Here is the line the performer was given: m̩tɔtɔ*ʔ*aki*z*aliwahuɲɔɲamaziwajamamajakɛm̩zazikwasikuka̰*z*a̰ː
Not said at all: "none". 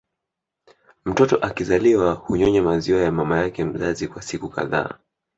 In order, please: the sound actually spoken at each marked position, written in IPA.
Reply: ʔ, z, ð

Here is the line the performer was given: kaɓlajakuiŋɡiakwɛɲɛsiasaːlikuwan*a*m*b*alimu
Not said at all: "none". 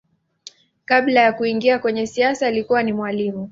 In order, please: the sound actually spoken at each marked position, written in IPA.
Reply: i, w

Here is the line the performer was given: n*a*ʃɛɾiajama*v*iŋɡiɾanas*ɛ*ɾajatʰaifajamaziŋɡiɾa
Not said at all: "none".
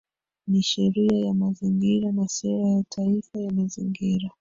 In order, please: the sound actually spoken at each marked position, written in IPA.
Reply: i, z, ɛ

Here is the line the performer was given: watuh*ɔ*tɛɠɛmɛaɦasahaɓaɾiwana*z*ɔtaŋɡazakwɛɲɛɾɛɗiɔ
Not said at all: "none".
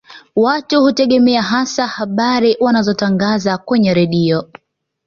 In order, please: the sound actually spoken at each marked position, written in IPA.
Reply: u, z

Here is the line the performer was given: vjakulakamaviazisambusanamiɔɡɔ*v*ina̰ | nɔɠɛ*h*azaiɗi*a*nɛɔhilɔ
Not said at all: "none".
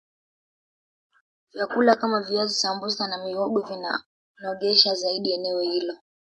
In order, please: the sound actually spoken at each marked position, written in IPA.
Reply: v, ʃ, ɛ

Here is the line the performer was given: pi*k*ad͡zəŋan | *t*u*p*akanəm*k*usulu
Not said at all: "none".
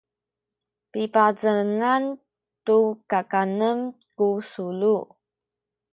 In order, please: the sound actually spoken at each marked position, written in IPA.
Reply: p, t, k, k

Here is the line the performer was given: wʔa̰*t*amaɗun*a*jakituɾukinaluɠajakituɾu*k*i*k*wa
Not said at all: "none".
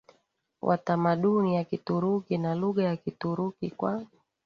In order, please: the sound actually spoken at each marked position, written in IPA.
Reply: t, i, k, k

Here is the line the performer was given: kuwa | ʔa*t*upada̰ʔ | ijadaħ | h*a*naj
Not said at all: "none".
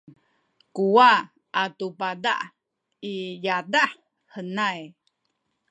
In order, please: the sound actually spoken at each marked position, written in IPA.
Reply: t, ə

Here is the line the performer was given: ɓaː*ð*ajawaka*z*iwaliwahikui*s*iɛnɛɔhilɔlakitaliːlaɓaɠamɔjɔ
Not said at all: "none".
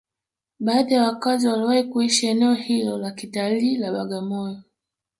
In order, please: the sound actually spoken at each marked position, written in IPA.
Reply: ð, z, ʃ

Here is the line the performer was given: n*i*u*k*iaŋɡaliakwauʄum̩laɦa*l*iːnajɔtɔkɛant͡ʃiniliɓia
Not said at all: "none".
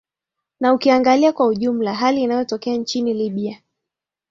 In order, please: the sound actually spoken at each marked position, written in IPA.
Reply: a, k, l

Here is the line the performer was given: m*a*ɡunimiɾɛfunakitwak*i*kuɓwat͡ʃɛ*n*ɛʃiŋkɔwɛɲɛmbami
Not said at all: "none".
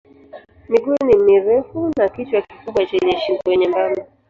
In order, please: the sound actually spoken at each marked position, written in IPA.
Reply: i, i, ɲ

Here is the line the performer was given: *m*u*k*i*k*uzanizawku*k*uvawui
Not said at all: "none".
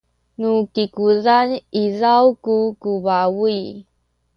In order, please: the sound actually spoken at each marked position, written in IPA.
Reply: n, k, k, k

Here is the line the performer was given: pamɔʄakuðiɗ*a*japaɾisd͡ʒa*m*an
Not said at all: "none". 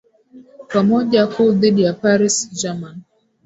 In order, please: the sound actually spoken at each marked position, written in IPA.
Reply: i, m

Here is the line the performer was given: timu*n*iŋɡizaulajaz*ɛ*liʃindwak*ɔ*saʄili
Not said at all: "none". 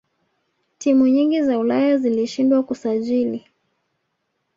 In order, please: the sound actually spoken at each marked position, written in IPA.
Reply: ɲ, i, u

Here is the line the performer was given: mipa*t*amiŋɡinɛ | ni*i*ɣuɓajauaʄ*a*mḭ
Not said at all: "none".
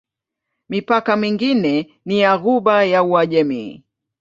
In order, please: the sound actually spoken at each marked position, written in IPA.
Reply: k, a, ɛ

